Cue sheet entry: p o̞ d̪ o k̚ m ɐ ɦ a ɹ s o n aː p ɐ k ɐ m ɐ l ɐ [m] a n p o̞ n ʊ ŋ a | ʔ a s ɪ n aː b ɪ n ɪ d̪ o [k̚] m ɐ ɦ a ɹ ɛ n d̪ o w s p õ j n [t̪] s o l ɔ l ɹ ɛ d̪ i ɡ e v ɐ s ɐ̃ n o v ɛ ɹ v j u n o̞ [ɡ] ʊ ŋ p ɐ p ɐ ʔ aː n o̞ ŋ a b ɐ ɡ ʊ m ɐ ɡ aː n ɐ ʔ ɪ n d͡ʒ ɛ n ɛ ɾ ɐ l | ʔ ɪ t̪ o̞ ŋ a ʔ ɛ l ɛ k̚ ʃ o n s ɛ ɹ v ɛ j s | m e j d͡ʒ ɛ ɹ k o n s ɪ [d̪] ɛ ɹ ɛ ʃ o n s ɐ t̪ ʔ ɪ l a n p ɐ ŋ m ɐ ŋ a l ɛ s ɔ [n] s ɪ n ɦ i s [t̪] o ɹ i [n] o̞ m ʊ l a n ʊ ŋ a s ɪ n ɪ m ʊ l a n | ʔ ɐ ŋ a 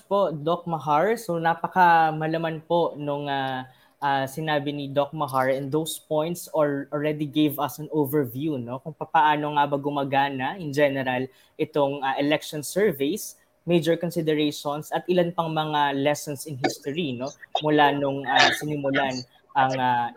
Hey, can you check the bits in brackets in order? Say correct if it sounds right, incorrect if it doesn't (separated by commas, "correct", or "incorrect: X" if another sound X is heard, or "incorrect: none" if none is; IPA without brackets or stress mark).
correct, correct, correct, incorrect: k, correct, correct, correct, correct